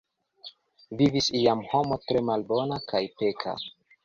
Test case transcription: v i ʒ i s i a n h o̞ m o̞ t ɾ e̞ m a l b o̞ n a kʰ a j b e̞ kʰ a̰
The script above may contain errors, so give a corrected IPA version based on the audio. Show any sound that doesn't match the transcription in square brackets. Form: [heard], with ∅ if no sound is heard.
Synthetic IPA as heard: v i [v] i s i a [m] h o̞ m o̞ t ɾ e̞ m a l b o̞ n a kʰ a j [p] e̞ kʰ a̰

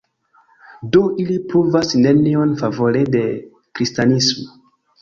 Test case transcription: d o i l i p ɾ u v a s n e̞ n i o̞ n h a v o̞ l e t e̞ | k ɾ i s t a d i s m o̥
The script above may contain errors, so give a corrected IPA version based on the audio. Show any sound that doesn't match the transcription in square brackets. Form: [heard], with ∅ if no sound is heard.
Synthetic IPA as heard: d o i l i p ɾ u v a s n e̞ n i o̞ n [f] a v o̞ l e [d] e̞ | k ɾ i s t a [n] i s m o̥

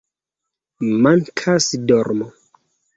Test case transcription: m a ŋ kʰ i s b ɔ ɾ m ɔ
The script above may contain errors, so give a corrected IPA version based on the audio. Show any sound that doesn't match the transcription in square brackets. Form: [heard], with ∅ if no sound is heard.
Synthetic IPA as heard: m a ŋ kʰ [a] s [d] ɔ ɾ m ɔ

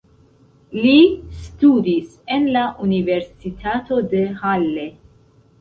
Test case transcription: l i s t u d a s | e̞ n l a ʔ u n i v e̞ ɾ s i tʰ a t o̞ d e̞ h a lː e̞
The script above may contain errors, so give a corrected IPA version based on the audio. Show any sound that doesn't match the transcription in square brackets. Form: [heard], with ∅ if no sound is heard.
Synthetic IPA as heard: l i s t u d [i] s | e̞ n l a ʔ u n i v e̞ ɾ s i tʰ a t o̞ d e̞ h a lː e̞

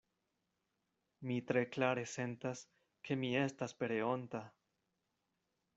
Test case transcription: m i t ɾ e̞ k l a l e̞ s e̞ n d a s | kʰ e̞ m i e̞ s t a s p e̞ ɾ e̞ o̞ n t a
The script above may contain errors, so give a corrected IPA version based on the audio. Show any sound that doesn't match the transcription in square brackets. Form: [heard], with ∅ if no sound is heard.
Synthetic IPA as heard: m i t ɾ e̞ k l a [ɾ] e̞ s e̞ n [t] a s | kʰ e̞ m i e̞ s t a s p e̞ ɾ e̞ o̞ n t a

